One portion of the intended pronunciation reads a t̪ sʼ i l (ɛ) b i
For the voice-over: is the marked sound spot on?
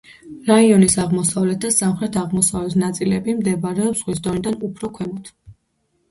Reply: yes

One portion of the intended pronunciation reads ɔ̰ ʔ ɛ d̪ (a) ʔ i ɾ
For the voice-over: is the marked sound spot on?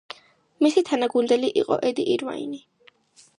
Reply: no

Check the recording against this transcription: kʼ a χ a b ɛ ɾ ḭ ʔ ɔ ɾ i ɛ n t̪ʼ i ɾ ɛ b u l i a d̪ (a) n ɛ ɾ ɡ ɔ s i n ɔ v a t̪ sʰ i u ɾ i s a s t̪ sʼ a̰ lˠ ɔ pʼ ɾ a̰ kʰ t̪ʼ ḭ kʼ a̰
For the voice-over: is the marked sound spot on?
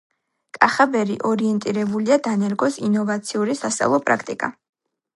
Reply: yes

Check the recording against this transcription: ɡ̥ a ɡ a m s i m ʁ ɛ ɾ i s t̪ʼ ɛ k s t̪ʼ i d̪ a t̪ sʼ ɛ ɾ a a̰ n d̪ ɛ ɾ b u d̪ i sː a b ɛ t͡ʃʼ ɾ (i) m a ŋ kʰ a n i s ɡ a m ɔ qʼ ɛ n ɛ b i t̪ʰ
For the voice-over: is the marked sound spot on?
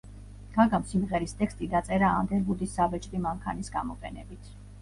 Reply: yes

